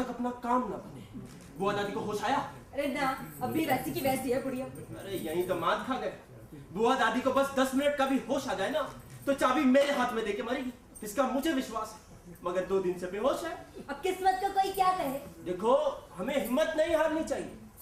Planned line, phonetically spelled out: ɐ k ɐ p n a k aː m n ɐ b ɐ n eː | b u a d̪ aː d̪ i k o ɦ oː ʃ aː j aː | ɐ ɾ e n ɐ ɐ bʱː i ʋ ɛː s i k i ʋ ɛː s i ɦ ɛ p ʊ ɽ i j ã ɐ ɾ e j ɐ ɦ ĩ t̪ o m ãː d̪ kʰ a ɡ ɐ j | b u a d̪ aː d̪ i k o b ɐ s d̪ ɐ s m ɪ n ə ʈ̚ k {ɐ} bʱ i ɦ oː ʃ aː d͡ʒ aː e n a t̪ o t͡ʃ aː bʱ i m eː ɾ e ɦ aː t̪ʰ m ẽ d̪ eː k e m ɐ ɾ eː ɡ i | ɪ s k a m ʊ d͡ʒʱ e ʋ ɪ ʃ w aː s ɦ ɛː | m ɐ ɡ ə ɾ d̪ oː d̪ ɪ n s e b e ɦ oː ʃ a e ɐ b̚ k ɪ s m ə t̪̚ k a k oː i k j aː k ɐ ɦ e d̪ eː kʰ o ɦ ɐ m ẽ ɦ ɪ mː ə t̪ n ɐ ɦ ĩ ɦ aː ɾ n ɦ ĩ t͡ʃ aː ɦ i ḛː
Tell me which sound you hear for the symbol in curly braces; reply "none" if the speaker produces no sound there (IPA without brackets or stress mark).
a